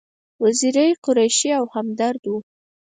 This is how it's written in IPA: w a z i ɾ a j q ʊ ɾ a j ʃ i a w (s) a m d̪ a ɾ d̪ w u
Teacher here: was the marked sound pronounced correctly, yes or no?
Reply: no